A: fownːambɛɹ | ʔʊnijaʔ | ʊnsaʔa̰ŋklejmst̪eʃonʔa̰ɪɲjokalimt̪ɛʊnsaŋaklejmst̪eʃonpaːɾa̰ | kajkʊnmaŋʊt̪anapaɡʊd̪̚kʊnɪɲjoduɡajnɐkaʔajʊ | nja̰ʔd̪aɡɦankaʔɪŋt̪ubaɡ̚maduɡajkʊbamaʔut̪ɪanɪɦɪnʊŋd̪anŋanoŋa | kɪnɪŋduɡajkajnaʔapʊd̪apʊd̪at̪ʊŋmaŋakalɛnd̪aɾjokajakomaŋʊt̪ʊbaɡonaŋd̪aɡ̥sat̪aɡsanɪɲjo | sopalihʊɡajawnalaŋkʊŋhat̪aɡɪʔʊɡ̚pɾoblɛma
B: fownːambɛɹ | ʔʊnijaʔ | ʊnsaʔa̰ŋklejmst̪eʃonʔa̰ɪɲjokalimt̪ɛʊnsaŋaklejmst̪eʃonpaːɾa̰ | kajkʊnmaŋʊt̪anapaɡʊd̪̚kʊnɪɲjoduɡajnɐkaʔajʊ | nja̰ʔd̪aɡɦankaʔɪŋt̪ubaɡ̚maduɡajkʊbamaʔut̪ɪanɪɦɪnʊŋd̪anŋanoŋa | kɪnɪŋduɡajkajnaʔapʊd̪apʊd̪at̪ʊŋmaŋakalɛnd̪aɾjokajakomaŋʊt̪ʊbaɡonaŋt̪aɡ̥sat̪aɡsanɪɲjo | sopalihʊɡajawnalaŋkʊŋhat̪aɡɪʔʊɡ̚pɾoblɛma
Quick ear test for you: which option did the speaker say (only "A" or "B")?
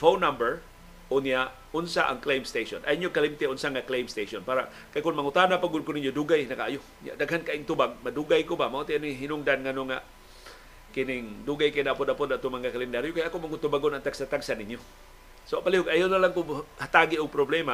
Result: B